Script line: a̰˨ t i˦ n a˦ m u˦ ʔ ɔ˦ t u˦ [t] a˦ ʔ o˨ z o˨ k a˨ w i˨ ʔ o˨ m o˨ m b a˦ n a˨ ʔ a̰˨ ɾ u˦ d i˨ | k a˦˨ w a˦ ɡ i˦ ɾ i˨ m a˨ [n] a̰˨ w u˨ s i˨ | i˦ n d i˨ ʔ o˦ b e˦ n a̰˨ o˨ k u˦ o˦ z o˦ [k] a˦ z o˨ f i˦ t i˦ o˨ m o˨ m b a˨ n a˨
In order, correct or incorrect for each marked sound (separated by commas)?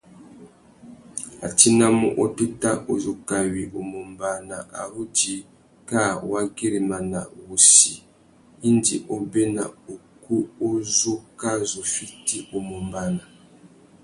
correct, correct, correct